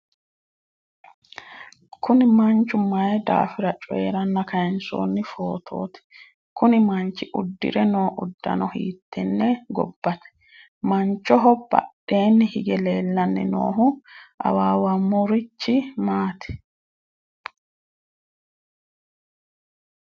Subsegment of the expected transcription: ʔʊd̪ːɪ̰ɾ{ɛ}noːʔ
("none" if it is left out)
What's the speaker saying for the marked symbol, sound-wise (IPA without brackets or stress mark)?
ɛ